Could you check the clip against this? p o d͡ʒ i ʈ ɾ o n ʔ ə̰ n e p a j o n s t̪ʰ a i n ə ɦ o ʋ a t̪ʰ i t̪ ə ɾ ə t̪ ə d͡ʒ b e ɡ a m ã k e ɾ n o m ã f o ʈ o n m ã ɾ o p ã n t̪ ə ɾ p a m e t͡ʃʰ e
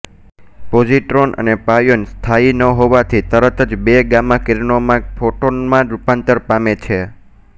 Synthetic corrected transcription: p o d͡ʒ i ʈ ɾ o n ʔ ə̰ n e p a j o n s t̪ʰ a i n ə ɦ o ʋ a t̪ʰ i t̪ ə ɾ ə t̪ ə d͡ʒ b e ɡ a m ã k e ɾ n o m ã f o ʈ o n m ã ɾ u p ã n t̪ ə ɾ p a m e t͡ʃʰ e